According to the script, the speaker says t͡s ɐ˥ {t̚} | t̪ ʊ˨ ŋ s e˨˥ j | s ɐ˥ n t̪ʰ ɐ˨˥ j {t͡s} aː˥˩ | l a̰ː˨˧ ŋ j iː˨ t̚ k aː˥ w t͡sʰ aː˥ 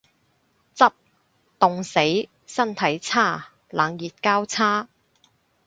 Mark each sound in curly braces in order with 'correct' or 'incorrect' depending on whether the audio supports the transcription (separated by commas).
incorrect, incorrect